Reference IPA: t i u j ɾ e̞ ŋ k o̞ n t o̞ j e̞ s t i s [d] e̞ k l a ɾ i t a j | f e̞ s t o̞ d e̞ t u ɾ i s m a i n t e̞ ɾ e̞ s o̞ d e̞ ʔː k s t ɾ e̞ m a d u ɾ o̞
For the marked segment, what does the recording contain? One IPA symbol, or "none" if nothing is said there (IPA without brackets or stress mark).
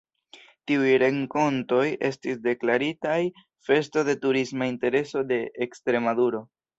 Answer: d